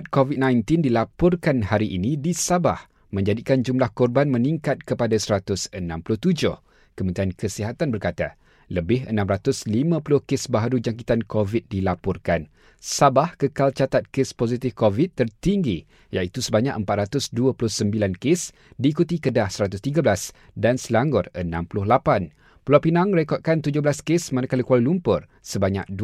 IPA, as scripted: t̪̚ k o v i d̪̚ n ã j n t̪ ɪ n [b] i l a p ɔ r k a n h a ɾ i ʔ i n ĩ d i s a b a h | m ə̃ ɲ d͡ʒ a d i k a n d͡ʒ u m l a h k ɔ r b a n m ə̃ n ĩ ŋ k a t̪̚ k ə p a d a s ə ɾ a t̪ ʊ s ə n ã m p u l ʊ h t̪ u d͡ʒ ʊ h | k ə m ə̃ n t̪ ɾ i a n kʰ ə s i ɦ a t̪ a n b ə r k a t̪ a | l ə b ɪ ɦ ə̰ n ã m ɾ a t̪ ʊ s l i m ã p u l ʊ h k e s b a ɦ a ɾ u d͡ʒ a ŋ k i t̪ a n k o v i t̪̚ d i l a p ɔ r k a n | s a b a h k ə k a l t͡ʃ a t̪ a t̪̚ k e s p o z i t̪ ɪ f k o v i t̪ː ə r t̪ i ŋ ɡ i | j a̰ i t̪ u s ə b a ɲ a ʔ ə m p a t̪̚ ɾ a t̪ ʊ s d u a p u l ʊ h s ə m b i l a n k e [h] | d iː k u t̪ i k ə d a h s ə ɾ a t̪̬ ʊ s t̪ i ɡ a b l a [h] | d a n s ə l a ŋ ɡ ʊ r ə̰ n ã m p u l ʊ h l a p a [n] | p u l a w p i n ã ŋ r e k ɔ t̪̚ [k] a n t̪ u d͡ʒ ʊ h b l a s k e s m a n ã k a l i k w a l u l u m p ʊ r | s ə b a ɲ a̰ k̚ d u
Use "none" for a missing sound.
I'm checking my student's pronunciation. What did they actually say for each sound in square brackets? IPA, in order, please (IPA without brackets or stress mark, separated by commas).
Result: d, s, s, n, k